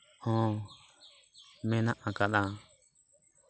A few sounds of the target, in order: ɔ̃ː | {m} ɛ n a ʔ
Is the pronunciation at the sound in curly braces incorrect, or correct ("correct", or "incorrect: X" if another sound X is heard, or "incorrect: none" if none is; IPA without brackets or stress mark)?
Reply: correct